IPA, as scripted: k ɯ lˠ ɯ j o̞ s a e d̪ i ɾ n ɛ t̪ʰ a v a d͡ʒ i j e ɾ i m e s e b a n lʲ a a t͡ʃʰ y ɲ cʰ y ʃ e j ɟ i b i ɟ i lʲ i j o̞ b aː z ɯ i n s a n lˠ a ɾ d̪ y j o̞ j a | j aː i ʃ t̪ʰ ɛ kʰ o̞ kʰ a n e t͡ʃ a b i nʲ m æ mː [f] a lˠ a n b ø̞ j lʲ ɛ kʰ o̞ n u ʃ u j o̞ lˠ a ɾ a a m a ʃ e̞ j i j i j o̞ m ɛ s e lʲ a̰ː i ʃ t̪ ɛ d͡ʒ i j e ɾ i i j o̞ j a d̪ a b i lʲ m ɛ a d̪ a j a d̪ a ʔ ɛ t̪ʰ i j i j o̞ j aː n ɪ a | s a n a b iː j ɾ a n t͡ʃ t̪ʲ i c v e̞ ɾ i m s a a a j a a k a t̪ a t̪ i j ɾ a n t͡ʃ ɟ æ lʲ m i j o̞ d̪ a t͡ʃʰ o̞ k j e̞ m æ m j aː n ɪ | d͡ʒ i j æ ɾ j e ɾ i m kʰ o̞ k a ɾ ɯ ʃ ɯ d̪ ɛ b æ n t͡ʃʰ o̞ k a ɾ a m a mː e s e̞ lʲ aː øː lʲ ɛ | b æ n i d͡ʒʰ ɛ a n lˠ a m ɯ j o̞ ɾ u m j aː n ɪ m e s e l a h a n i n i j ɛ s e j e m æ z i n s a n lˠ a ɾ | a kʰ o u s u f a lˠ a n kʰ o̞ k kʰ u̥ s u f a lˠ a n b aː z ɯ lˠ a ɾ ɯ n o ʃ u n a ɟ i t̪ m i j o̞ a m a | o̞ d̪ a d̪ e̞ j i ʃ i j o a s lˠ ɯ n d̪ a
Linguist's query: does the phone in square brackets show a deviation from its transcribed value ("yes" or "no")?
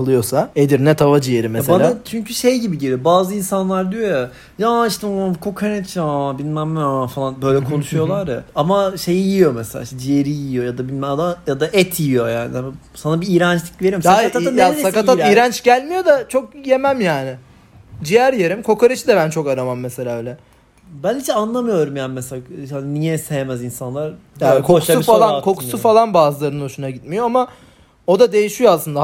no